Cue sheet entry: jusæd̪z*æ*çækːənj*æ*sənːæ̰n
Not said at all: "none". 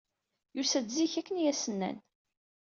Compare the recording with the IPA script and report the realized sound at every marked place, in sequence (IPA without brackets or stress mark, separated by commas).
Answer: i, æ